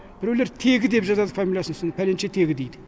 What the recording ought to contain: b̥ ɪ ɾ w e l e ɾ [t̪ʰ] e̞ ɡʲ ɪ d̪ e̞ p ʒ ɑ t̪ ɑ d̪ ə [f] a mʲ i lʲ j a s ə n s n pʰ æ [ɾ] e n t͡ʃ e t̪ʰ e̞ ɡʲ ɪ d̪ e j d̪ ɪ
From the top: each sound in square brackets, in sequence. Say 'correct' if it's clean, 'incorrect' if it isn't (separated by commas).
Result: correct, correct, incorrect